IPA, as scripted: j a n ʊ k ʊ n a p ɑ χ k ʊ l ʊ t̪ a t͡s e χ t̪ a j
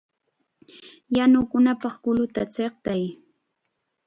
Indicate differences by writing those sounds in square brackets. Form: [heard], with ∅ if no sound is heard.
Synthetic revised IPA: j a n ʊ k ʊ n a p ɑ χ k ʊ l ʊ t̪ a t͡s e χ t̪ a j